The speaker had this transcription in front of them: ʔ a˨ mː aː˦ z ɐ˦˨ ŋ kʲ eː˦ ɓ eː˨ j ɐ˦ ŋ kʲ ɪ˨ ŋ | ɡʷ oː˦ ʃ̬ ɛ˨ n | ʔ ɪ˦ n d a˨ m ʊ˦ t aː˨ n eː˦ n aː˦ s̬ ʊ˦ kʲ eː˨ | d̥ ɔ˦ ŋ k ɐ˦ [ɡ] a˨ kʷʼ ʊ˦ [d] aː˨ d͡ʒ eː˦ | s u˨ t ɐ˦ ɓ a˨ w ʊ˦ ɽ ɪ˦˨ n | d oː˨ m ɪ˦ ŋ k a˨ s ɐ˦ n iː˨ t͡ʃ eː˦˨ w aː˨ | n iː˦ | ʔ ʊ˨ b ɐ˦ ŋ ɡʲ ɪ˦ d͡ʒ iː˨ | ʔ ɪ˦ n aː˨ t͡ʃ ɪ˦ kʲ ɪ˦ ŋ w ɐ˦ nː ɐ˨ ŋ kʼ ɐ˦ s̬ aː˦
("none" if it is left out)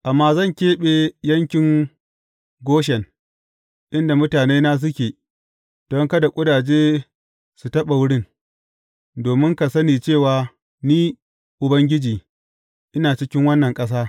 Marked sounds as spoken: d, d

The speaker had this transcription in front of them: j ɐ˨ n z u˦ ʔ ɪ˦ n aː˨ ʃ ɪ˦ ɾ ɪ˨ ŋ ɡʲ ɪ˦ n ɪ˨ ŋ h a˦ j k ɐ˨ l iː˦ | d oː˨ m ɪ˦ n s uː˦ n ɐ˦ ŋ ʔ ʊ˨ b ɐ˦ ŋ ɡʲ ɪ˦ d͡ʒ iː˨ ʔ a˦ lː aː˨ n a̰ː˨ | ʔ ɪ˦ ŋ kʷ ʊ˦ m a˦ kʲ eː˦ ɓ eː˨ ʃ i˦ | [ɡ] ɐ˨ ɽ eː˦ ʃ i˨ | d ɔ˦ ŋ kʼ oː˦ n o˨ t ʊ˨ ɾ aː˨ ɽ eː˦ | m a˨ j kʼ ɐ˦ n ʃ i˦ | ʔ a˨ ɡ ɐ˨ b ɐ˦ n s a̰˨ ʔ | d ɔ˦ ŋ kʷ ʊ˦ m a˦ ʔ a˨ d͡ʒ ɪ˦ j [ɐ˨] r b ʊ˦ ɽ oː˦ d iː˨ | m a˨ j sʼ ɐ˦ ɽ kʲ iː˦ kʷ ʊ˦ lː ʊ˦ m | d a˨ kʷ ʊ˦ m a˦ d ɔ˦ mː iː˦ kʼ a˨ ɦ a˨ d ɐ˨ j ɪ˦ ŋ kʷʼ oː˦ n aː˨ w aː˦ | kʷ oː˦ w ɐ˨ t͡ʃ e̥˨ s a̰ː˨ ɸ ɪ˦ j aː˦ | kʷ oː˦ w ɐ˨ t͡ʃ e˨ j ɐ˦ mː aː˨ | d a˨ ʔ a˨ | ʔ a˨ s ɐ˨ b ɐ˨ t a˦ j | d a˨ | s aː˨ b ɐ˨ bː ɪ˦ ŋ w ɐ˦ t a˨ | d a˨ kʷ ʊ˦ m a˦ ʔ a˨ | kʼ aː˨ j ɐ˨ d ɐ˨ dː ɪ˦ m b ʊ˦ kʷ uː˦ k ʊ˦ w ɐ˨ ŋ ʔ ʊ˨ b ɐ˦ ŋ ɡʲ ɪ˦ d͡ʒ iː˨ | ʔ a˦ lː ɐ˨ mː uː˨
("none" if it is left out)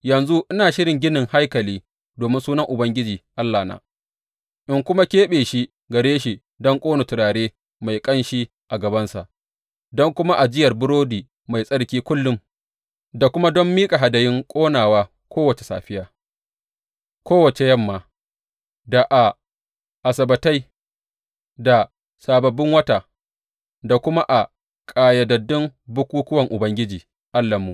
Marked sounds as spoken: ɡ, ɐ˨

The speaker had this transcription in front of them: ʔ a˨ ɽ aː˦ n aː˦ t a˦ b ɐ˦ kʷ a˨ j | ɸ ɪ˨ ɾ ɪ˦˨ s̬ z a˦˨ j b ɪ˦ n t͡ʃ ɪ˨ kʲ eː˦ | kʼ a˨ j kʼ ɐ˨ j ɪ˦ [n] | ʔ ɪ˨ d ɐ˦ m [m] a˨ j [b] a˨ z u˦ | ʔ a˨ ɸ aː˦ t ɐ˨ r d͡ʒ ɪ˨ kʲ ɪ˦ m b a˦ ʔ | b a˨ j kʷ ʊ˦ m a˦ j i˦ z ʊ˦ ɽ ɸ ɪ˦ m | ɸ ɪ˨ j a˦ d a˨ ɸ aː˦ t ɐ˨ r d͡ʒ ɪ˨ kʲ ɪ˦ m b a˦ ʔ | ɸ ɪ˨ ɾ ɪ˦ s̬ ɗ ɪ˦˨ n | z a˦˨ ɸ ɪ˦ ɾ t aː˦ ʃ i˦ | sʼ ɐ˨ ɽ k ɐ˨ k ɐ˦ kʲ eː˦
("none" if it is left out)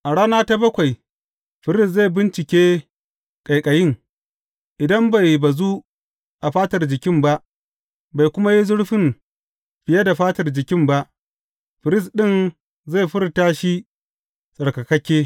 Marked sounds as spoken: ŋ, b, b

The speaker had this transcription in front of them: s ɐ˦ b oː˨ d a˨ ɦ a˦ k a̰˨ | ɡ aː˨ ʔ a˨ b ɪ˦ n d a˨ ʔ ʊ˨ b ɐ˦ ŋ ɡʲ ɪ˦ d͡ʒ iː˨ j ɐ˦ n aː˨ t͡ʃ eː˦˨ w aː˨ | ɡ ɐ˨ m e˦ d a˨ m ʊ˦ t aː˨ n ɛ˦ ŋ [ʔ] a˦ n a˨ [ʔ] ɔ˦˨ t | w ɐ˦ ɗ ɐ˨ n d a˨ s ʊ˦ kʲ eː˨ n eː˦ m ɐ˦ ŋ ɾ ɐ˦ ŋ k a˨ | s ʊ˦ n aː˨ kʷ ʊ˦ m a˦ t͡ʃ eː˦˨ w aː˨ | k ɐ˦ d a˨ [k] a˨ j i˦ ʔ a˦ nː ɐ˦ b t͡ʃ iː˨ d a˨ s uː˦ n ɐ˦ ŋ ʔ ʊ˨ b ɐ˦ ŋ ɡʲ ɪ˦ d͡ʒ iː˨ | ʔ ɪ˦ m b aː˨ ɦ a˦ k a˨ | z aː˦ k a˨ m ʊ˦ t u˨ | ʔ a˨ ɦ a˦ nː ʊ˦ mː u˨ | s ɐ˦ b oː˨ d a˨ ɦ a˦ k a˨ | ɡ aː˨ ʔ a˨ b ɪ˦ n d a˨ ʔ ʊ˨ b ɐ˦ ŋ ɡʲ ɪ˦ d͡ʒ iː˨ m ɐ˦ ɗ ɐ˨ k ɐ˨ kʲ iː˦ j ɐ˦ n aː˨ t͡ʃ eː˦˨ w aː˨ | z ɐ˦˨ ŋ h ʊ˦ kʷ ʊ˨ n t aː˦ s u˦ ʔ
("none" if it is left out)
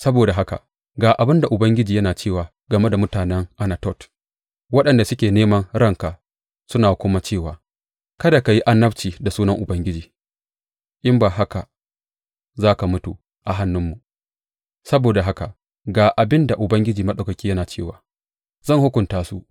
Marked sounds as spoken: ʔ, t, k

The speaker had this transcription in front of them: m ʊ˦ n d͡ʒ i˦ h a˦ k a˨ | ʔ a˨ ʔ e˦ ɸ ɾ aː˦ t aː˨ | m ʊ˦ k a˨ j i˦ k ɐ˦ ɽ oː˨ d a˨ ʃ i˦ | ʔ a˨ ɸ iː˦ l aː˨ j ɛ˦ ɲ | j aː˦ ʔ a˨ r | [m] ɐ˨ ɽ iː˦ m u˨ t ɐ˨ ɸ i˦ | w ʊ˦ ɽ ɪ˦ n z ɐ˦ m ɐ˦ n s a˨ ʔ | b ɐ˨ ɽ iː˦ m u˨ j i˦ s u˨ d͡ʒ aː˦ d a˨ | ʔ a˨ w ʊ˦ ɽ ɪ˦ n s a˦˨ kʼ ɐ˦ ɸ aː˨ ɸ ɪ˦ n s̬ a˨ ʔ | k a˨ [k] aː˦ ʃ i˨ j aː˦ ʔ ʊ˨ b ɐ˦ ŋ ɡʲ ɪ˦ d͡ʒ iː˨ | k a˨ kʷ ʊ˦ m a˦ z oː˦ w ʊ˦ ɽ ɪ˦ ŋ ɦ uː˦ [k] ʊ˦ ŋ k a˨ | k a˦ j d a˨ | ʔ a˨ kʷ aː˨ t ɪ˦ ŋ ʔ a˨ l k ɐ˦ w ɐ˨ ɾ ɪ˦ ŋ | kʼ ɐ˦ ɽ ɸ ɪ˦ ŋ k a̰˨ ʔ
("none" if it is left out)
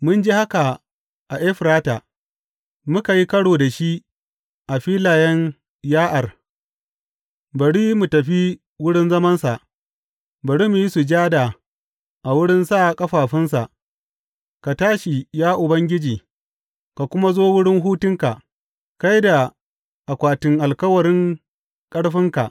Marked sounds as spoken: b, t, t

